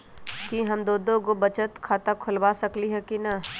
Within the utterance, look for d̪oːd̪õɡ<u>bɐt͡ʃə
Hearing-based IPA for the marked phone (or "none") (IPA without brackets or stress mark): o